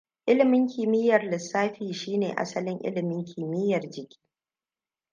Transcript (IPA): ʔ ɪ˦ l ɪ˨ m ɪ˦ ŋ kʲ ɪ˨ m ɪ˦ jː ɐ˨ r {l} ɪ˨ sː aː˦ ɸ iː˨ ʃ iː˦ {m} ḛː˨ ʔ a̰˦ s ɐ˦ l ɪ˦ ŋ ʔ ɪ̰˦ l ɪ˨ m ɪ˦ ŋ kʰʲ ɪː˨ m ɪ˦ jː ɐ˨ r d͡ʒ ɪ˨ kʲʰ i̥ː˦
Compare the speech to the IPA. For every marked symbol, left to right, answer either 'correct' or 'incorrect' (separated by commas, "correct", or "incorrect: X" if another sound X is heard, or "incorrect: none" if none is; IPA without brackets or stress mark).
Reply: correct, incorrect: n